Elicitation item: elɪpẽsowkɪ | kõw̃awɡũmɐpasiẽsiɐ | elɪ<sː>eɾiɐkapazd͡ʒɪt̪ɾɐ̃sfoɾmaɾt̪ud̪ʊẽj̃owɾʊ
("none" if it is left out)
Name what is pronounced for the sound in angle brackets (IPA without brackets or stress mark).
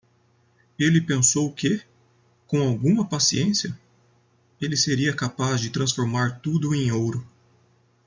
s